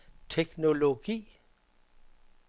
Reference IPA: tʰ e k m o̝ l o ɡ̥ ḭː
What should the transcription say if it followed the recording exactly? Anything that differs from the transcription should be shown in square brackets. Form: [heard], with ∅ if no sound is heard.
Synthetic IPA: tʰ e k [n] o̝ l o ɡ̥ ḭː